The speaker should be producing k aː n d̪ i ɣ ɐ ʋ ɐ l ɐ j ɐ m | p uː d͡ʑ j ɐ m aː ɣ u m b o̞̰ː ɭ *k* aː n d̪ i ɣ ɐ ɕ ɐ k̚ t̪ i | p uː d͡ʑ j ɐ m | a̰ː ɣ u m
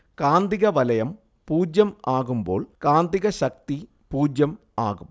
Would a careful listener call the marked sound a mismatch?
no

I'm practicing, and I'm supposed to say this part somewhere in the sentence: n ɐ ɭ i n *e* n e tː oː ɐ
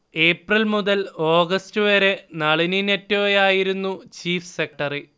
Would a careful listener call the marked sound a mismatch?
yes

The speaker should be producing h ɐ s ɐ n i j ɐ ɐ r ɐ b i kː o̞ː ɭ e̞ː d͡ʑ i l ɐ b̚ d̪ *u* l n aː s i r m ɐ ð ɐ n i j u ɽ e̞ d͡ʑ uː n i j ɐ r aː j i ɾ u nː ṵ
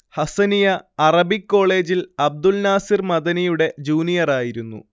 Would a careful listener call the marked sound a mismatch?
no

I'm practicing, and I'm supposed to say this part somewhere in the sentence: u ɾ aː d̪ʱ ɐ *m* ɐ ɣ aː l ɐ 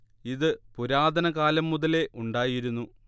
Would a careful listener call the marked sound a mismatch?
yes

